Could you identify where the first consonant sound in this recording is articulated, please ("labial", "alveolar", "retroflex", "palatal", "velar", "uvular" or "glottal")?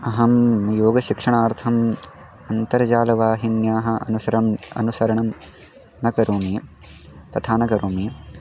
glottal